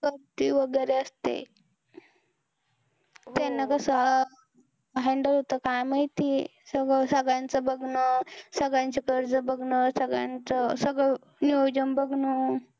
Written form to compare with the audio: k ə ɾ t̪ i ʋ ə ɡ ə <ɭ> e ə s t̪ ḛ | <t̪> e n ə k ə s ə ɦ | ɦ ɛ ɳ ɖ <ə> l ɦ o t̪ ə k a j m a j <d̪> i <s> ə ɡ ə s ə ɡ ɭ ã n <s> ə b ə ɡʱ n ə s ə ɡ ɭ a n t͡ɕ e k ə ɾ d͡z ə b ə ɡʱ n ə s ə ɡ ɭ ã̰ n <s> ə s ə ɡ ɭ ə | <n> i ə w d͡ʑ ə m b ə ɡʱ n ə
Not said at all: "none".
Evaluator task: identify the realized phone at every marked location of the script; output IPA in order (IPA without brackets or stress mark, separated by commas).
ɾ, t̪, ə, t̪, s, t͡s, t͡s, n